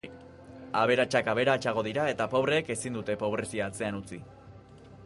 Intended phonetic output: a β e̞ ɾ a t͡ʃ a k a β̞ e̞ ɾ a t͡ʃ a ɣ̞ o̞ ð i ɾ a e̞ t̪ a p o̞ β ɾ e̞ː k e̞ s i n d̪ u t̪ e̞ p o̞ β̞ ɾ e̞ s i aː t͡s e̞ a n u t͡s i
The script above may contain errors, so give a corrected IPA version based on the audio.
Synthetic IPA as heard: a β e̞ ɾ a t͡ʃ a k a β̞ e̞ ɾ a t͡ʃ a ɣ̞ o̞ ð i ɾ a e̞ t̪ a p o̞ β ɾ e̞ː k e̞ s i n d̪ u t̪ e̞ p o̞ β̞ ɾ e̞ s i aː t͡s e̞ a n u t͡s i